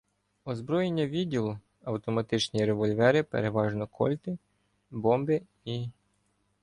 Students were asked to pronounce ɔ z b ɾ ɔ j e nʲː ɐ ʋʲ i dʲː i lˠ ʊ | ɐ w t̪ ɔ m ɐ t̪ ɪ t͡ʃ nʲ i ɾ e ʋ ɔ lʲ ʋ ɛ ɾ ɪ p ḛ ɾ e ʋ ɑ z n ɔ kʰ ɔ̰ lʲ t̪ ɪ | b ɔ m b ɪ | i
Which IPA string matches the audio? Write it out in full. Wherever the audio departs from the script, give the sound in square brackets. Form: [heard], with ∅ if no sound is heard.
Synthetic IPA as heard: ɔ z b ɾ ɔ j e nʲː ɐ ʋʲ i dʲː i lˠ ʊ | ɐ w t̪ ɔ m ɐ t̪ ɪ t͡ʃ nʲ i ɾ e ʋ ɔ lʲ ʋ ɛ ɾ ɪ p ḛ ɾ e ʋ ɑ [ʒ] n ɔ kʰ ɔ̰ lʲ t̪ ɪ | b ɔ m b ɪ | i